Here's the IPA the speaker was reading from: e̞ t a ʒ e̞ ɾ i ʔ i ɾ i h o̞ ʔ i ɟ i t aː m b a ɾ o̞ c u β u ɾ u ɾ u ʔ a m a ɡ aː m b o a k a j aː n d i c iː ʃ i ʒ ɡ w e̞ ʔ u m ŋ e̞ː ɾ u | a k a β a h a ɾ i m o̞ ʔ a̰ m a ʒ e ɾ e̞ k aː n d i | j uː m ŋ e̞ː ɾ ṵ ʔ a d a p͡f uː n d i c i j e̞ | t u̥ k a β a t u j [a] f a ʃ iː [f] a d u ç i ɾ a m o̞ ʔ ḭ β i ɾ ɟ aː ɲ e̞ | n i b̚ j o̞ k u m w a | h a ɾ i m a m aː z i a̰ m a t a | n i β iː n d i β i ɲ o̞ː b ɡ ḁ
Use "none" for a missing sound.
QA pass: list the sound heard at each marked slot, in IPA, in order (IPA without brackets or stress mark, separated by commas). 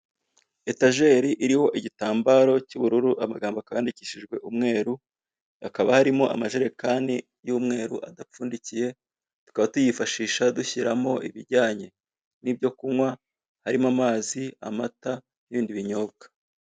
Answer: i, ʃ